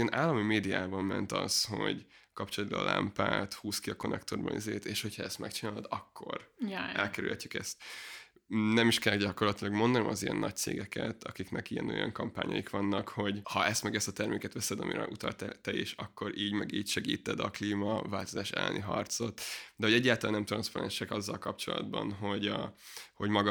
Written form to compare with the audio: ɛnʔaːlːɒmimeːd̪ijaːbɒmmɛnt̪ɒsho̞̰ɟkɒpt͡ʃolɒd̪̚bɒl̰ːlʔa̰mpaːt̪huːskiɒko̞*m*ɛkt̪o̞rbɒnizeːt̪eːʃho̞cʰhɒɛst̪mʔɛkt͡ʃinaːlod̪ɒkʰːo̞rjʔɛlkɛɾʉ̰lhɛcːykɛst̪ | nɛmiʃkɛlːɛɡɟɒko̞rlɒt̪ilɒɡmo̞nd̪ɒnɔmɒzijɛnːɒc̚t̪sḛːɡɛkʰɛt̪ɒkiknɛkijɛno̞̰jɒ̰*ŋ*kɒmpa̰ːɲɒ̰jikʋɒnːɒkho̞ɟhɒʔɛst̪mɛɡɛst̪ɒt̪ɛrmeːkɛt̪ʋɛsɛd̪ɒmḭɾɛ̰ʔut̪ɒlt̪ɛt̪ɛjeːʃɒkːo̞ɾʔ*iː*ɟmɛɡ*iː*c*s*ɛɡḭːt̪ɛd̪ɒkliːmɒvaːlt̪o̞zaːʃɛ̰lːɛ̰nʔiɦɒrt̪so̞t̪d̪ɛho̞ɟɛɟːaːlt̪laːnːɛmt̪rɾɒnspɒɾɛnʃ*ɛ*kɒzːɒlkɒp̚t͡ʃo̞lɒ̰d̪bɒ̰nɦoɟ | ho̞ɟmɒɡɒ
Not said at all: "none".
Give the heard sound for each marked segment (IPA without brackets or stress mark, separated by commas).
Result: n, ŋ, iː, iː, ʃ, ɛ